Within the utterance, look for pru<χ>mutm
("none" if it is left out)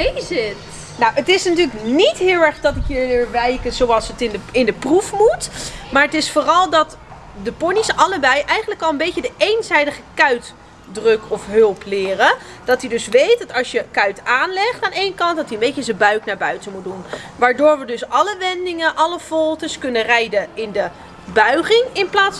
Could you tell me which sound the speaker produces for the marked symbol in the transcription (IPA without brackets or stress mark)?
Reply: f